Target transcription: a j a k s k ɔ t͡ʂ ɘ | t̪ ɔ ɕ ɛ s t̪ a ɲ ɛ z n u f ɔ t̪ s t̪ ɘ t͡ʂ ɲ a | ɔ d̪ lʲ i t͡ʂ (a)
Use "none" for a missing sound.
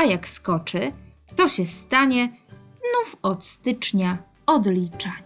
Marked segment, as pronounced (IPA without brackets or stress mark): a